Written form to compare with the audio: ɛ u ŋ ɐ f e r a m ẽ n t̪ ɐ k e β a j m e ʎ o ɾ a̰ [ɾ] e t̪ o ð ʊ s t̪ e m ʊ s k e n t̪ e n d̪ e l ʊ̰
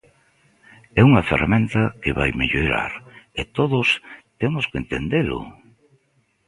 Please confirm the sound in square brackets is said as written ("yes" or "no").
yes